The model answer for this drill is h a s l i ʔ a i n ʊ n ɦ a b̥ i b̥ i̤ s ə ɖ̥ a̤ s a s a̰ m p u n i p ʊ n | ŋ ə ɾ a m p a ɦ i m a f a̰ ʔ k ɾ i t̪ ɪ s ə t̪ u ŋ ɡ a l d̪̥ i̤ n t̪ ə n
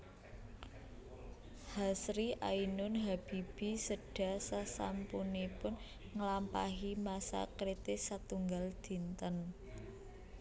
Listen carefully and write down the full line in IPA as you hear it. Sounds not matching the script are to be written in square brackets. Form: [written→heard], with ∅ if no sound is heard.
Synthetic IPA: h a s [l→ɾ] i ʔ a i n ʊ n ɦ a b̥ i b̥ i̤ s ə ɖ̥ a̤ s a s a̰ m p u n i p ʊ n | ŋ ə [ɾ→l] a m p a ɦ i m a [f→s] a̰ [ʔ→∅] k ɾ i t̪ ɪ s [ə→a] t̪ u ŋ ɡ a l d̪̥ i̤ n t̪ ə n